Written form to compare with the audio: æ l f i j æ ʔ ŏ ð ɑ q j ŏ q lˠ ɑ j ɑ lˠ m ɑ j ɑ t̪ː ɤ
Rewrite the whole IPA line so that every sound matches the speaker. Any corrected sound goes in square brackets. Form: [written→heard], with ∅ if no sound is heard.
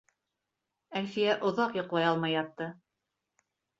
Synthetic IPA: æ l f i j æ ʔ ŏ ð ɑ q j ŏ q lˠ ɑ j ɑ lˠ m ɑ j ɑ t̪ː ɤ

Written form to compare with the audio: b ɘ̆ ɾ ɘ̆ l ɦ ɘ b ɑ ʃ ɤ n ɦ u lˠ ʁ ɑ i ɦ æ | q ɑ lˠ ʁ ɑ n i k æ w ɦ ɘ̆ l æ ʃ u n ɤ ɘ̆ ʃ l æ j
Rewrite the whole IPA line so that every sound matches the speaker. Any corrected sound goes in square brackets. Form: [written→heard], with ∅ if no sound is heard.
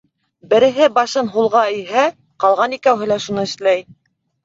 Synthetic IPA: b ɘ̆ ɾ ɘ̆ [l→∅] ɦ ɘ b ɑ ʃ ɤ n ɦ u lˠ ʁ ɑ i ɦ æ | q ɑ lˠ ʁ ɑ n i k æ w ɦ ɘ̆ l æ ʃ u n ɤ ɘ̆ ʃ l æ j

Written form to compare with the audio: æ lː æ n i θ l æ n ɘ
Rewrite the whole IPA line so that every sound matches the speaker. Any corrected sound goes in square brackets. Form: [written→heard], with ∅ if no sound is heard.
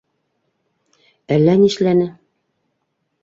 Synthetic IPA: æ lː æ n i [θ→ʃ] l æ n ɘ

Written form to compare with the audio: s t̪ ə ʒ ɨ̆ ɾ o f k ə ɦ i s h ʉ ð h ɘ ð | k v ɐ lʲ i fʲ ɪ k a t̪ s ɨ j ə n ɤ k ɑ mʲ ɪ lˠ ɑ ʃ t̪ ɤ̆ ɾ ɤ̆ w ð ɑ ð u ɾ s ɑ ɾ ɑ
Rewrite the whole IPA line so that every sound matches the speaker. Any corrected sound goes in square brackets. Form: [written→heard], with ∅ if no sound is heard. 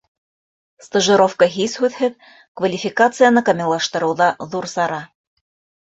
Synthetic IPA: s t̪ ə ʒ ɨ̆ ɾ o f k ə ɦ i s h ʉ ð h ɘ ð | k v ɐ lʲ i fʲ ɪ k a t̪ s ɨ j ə n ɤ k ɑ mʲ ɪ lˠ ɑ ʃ t̪ ɤ̆ ɾ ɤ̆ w ð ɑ ð u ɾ s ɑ ɾ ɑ

